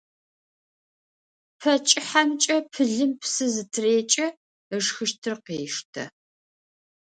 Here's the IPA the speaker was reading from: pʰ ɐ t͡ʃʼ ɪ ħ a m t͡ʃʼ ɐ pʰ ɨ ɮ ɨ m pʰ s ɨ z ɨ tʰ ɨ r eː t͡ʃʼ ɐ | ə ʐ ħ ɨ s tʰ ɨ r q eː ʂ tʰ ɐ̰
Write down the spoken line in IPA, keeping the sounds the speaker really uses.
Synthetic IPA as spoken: pʰ ɐ t͡ʃʼ ɪ ħ a m t͡ʃʼ ɐ pʰ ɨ ɮ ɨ m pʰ s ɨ z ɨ tʰ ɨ r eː t͡ʃʼ ɐ | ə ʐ x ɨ ʃ tʰ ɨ r q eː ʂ tʰ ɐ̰